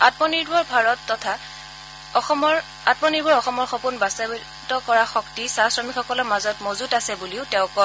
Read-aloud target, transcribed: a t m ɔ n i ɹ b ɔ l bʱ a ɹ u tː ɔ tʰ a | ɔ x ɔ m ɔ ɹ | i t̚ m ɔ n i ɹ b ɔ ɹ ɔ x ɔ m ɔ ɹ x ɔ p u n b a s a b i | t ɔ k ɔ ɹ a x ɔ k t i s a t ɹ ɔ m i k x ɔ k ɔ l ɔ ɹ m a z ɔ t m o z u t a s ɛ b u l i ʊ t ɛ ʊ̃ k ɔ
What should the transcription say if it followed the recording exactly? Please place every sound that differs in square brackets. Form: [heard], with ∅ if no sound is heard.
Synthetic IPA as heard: a t m ɔ n i ɹ b ɔ [ɹ] bʱ a ɹ [ɔ] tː ɔ tʰ a | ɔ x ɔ m ɔ ɹ | [a] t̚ m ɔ n i ɹ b ɔ ɹ ɔ x ɔ m ɔ ɹ x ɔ p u n b a s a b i | t ɔ k ɔ ɹ a x ɔ k t i s a [s] ɹ ɔ m i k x ɔ k ɔ l ɔ ɹ m a z ɔ t m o z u t a s ɛ b u l i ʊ t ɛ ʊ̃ k ɔ